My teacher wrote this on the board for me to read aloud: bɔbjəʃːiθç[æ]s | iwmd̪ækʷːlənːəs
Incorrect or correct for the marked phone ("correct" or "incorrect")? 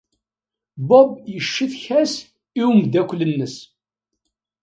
correct